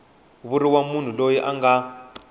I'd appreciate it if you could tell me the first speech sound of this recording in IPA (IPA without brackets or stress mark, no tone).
β